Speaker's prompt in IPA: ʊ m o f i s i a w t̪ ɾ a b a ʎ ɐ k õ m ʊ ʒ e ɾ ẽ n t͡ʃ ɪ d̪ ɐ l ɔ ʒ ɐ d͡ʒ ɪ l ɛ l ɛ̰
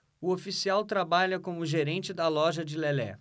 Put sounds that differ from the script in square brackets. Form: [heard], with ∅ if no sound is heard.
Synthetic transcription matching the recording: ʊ [∅] o f i s i a w t̪ ɾ a b a ʎ ɐ k õ m ʊ ʒ e ɾ ẽ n t͡ʃ ɪ d̪ ɐ l ɔ ʒ ɐ d͡ʒ ɪ l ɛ l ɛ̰